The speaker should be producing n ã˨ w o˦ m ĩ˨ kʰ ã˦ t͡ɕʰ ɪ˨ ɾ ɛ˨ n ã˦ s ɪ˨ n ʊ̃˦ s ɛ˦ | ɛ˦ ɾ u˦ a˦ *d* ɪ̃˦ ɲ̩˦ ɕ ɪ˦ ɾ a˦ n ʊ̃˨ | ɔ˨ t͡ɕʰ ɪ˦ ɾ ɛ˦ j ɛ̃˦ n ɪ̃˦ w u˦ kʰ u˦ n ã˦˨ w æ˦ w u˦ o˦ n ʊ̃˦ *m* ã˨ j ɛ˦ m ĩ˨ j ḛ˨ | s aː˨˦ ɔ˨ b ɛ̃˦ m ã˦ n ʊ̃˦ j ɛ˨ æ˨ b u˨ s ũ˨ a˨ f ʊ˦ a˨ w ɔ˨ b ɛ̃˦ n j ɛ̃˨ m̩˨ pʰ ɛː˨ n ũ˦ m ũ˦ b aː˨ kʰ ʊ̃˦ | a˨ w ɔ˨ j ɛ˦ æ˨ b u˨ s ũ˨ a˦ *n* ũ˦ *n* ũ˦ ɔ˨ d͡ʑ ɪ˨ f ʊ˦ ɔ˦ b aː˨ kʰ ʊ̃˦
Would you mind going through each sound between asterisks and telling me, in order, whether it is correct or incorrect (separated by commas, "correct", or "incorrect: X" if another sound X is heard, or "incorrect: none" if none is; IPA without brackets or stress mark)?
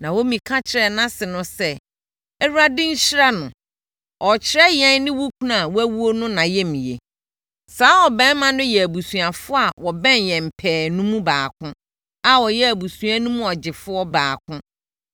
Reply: correct, incorrect: n, correct, incorrect: m